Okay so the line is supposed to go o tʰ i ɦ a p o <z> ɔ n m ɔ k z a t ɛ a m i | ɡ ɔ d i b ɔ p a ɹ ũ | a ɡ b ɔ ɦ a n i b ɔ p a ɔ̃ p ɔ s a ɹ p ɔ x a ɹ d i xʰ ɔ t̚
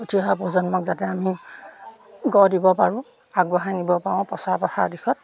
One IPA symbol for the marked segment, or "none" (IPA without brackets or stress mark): z